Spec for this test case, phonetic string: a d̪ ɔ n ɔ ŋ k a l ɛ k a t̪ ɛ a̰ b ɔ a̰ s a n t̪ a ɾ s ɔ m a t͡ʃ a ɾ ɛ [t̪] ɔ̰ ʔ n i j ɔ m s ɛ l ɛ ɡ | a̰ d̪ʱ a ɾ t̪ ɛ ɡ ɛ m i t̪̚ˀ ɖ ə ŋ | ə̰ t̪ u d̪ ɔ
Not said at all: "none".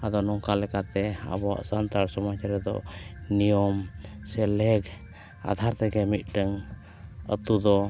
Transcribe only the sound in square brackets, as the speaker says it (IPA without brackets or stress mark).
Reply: d̪